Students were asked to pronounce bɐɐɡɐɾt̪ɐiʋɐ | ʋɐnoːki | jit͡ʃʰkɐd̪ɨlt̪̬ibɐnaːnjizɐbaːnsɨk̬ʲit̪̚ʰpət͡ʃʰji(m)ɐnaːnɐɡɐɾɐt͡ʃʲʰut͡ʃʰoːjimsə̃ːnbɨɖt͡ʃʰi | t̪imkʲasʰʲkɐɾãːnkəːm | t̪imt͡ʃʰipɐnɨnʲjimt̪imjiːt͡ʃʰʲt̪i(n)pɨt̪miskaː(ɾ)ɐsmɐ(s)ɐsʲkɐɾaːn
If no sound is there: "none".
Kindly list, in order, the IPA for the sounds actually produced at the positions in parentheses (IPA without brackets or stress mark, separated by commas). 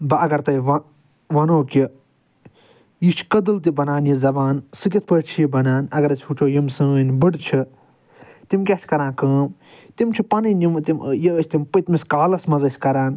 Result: b, m, l, z